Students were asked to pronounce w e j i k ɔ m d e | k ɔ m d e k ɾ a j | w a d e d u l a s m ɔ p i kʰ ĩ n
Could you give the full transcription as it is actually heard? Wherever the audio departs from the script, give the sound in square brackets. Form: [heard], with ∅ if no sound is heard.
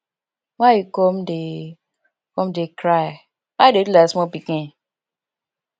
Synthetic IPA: w [a] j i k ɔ m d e | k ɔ m d e k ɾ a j | w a d e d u l a s m ɔ p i [k] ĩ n